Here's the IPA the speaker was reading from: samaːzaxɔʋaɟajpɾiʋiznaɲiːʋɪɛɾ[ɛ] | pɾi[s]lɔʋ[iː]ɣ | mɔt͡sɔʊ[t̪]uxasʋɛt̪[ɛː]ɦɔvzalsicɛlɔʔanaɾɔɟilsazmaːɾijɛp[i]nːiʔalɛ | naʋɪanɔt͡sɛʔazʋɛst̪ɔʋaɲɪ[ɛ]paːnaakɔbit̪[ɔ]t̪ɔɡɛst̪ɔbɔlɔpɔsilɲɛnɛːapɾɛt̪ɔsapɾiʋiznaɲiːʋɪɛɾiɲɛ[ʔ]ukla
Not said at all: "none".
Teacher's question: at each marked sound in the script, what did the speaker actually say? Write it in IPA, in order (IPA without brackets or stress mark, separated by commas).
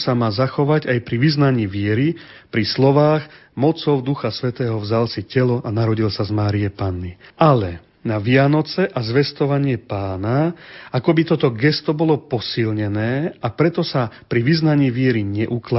i, s, aː, d̪, ɛː, a, ɛ, ɔ, ʔ